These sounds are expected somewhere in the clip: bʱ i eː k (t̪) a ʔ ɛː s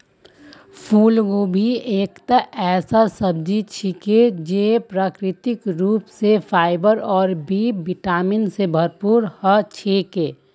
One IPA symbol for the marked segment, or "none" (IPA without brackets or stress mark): t̪